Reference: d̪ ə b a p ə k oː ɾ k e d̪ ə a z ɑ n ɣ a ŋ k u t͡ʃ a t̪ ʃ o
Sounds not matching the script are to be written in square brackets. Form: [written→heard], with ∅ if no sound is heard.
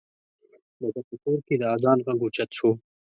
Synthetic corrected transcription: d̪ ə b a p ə k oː ɾ k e d̪ ə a z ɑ n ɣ a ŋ [k→ɡ] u t͡ʃ a t̪ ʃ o